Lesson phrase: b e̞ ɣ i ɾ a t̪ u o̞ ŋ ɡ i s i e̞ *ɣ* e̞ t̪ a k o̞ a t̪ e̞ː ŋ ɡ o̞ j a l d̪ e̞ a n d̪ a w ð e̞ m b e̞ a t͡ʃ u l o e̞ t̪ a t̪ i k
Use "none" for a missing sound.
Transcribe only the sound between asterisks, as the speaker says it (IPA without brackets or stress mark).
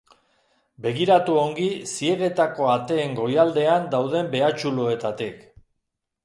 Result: ɣ